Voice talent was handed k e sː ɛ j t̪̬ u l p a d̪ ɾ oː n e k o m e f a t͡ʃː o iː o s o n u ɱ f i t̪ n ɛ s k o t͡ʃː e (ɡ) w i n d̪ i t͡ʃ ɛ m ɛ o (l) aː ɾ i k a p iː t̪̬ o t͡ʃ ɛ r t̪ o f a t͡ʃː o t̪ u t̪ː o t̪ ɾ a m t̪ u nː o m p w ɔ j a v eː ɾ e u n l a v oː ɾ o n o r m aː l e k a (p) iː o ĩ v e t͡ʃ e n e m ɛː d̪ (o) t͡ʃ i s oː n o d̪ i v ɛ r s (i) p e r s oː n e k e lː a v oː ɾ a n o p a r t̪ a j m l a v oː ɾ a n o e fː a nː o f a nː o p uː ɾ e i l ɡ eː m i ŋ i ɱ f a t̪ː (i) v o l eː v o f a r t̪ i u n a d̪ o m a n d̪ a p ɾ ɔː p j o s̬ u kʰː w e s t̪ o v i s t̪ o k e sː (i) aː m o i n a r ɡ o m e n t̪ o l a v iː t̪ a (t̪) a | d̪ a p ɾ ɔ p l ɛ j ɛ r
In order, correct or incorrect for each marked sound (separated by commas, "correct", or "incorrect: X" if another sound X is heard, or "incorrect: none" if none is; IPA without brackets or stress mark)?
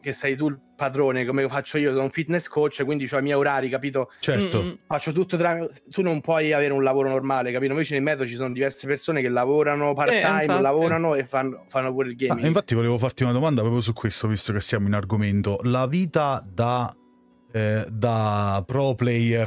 incorrect: k, incorrect: ɾ, correct, correct, incorrect: e, correct, incorrect: j, incorrect: d̪